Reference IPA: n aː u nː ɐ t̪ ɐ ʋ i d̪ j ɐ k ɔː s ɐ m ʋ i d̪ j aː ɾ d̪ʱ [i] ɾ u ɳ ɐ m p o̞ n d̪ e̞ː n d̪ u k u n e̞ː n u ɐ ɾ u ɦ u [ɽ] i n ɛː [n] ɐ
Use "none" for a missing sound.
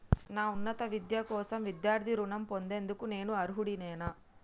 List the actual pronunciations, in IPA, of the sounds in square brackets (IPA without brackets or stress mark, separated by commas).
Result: i, ɽ, n